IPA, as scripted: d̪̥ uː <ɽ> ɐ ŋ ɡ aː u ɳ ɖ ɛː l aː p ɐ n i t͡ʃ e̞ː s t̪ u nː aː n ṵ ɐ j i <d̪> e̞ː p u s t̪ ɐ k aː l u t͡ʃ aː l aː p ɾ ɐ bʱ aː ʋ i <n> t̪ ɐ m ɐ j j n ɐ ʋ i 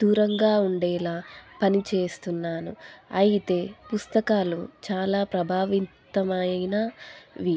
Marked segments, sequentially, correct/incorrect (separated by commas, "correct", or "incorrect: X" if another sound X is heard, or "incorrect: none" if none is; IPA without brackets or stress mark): incorrect: ɾ, incorrect: t̪, correct